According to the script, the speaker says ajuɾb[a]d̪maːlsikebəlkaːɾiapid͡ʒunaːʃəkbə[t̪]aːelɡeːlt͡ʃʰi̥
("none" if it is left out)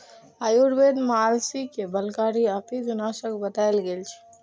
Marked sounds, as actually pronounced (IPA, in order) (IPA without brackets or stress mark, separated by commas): e, t̪